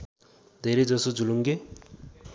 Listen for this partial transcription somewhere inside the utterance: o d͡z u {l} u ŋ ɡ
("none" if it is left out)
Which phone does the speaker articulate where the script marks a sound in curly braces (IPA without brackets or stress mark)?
l